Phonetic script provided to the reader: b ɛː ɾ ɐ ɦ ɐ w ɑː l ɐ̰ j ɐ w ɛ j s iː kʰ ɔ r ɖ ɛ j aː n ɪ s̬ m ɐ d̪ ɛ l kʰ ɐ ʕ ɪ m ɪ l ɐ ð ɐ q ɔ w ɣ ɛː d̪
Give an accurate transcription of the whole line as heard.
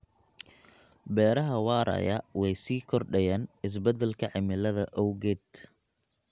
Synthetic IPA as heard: b ɛː ɾ ɐ ɦ ɐ w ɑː ɾ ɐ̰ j ɐ w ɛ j s iː kʰ ɔ r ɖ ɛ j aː n ɪ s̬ b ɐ d̪ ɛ l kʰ ɐ ʕ ɪ m ɪ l ɐ ð ɐ ʔ ɔ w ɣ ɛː d̪